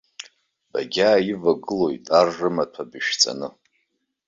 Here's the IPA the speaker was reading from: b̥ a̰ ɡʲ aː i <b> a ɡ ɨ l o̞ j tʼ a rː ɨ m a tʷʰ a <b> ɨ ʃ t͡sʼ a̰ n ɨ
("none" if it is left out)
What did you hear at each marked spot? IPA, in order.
v, b

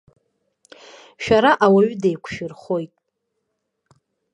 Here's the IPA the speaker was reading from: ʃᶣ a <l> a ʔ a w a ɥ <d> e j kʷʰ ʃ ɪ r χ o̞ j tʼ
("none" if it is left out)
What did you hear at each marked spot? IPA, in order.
ɾ, d

